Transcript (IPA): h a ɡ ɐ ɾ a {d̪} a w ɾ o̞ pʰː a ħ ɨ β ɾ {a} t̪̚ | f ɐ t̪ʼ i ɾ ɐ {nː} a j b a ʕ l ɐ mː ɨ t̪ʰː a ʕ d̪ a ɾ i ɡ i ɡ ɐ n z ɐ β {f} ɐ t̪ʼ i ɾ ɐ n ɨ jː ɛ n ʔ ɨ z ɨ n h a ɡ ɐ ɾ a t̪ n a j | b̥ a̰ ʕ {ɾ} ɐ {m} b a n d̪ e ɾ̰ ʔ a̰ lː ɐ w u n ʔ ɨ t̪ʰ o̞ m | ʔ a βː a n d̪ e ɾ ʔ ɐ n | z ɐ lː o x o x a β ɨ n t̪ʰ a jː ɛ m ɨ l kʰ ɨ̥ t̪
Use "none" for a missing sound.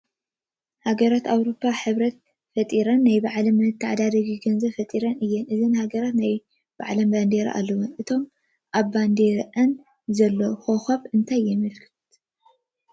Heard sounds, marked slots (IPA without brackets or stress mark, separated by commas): t̪, ɐ, nː, f, l, m